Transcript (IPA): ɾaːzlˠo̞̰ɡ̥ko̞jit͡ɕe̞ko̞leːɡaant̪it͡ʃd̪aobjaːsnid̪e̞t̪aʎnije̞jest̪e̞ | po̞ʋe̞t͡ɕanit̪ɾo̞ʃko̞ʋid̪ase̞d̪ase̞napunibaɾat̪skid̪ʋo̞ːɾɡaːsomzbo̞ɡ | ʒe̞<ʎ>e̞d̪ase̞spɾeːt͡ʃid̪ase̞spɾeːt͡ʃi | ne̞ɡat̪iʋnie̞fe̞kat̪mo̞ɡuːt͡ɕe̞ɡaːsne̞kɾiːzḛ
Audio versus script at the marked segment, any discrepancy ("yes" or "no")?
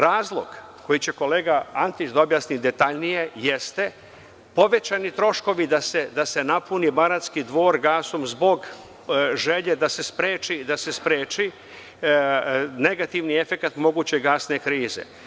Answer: no